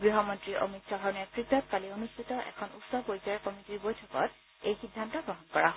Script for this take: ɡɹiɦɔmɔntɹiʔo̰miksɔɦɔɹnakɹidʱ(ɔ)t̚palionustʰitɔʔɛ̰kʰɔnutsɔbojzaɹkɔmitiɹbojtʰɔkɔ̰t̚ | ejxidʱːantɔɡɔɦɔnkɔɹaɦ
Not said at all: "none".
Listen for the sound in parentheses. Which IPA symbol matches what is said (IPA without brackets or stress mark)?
ɔ